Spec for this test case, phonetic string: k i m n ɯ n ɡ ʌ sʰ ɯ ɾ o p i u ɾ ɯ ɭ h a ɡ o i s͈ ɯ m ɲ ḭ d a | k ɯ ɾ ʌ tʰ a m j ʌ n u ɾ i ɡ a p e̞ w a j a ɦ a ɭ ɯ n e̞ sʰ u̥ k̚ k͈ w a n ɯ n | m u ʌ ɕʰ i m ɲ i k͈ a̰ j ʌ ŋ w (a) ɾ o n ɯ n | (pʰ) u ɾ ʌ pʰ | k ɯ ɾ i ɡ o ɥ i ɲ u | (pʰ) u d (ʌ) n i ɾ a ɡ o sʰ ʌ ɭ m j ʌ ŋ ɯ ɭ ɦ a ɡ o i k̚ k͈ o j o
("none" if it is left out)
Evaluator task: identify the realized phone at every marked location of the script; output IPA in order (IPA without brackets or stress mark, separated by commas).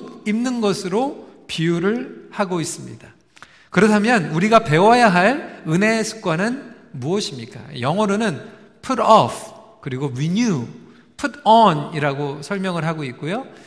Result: ʌ, pʰ, pʰ, ʌ